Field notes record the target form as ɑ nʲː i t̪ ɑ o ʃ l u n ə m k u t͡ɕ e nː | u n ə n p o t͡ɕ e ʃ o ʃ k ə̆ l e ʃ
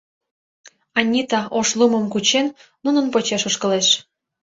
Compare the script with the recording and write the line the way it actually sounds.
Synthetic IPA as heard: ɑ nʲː i t̪ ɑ o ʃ l u m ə m k u t͡ɕ e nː | u n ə n p o t͡ɕ e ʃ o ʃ k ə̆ l e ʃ